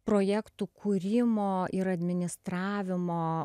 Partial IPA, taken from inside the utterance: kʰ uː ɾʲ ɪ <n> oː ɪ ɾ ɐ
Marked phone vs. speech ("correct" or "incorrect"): incorrect